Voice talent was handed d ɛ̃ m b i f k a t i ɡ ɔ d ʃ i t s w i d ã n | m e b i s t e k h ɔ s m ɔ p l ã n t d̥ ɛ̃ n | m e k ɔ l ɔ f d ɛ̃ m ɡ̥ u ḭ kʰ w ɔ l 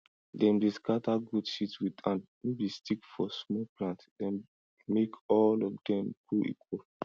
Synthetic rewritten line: d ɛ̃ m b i s k a t a ɡ u d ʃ i t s w i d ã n | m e b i s t i k f ɔ s m ɔ p l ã n t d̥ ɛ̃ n | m e k ɔ l ɔ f d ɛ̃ m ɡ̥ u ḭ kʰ w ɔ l